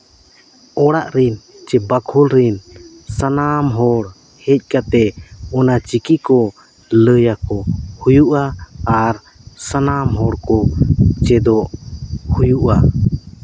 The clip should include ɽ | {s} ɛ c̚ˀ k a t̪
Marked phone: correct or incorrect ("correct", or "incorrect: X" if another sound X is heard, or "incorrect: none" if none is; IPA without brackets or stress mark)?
incorrect: h